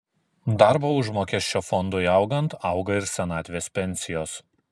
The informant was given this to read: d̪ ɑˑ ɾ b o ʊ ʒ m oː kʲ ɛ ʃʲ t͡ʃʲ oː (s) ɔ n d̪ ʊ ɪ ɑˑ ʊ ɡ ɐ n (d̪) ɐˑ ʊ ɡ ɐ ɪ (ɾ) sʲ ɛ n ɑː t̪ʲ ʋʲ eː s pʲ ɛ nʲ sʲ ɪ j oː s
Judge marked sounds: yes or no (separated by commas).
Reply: no, no, yes